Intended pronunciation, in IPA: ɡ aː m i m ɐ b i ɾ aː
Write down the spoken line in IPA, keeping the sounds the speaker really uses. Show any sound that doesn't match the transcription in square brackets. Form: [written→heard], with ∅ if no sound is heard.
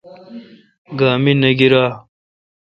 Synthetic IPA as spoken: ɡ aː m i [m→n] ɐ [b→ɡ] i ɾ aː